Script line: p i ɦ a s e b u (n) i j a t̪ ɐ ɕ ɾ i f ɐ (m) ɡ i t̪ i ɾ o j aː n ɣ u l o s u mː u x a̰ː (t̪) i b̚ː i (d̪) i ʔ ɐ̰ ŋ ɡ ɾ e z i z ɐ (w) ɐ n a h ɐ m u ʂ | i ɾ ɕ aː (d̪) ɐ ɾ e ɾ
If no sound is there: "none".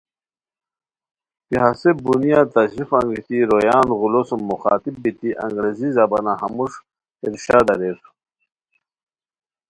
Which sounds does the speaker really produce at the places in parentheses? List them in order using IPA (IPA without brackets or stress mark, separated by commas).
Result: n, ŋ, t̪, t̪, b, d̪